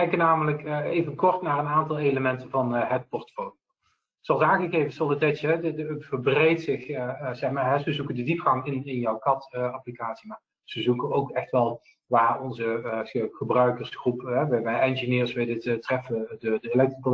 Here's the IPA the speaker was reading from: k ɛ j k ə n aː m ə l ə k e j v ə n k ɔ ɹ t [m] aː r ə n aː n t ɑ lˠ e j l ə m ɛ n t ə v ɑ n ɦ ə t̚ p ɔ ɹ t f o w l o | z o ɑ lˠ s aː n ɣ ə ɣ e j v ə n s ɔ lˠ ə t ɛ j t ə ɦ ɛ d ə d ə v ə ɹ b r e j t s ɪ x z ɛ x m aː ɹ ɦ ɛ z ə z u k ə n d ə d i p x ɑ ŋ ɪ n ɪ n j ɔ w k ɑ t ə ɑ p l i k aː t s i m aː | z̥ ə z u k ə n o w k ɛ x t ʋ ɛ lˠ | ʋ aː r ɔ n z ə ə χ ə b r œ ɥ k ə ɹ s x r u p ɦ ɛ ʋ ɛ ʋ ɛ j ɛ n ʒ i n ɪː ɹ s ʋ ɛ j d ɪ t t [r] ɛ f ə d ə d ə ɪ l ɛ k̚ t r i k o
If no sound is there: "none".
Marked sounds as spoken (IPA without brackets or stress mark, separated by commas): n, r